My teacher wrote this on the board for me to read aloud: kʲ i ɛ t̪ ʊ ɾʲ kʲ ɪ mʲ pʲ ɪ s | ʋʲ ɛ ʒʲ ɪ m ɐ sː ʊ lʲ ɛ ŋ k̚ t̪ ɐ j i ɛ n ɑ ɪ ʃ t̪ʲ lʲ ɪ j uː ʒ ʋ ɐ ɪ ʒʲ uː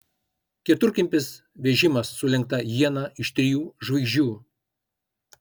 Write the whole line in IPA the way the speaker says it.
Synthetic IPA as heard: kʲ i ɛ t̪ ʊ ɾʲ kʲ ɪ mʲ pʲ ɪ s | ʋʲ ɛ ʒʲ ɪ m ɐ sː ʊ lʲ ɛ ŋ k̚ t̪ ɐ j i ɛ n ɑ ɪ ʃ t̪ʲ ɾʲ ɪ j uː ʒ ʋ ɐ ɪ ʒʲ uː